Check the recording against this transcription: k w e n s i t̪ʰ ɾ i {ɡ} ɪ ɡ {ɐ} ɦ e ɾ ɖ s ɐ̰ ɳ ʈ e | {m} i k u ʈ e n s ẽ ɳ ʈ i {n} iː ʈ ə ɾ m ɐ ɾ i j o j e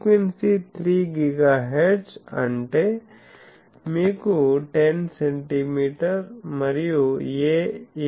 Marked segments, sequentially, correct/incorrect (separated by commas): correct, incorrect, correct, incorrect